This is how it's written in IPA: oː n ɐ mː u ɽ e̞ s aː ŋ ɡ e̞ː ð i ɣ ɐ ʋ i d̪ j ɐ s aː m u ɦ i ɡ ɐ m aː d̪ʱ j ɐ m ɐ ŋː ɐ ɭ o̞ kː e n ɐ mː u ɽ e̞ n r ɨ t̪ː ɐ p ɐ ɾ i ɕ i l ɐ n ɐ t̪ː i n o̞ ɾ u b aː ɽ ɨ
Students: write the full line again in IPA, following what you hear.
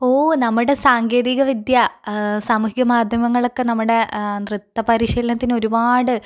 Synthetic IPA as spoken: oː n ɐ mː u ɽ e̞ s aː ŋ ɡ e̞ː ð i ɣ ɐ ʋ i d̪ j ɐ s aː m u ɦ i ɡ ɐ m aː d̪ʱ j ɐ m ɐ ŋː ɐ ɭ o̞ kː e n ɐ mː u ɽ e̞ n r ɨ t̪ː ɐ p ɐ ɾ i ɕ i l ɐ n ɐ t̪ː i n o̞ ɾ u b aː ɽ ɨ